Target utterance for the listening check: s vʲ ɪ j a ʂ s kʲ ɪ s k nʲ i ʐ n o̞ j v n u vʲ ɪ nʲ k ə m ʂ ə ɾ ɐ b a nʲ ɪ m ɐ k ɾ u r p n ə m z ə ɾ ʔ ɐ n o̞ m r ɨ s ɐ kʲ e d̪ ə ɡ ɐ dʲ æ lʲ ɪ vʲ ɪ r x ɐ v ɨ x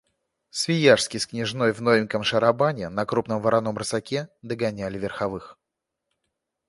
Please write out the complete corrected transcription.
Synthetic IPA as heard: s vʲ ɪ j a ʂ s kʲ ɪ s k nʲ ɪ ʐ n o̞ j v n o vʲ ɪ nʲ k ə m ʂ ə ɾ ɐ b a nʲ ɪ n ɐ k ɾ u p n ə m v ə ɾ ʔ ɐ n o̞ m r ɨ s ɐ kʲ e d̪ ə ɡ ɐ nʲ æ lʲ ɪ vʲ ɪ r x ɐ v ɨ x